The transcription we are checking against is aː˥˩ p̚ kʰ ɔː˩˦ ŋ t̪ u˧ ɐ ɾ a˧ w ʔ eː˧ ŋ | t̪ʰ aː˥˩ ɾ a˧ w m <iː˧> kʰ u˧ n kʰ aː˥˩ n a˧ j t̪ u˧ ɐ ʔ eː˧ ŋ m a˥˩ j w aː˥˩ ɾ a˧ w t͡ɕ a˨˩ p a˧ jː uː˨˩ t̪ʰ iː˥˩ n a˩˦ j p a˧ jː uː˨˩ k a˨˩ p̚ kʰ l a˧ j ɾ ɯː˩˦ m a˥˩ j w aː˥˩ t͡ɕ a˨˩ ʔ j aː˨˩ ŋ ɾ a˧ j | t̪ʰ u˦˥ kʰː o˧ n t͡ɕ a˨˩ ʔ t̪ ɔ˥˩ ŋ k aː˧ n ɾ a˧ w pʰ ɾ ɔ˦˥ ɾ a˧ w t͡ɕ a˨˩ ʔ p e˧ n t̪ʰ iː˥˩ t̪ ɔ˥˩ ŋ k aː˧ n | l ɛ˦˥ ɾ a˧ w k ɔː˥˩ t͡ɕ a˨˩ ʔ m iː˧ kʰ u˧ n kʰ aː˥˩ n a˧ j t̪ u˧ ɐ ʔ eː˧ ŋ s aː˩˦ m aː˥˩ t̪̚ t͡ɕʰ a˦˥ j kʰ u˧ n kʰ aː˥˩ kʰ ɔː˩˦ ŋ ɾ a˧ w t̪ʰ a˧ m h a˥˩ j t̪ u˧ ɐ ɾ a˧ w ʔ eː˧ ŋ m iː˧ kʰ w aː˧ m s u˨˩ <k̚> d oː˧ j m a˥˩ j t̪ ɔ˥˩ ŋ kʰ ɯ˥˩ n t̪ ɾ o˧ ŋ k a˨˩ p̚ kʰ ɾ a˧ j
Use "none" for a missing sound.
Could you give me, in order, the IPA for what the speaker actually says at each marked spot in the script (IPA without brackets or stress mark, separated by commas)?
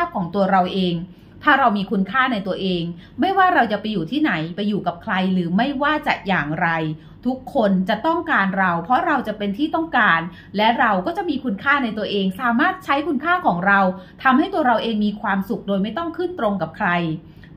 iː˧, k̚